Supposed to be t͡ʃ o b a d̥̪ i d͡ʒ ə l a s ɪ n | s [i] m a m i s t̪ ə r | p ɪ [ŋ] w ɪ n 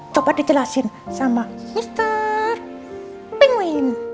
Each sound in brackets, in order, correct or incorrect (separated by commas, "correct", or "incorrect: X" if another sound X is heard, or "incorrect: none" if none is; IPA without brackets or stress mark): incorrect: a, correct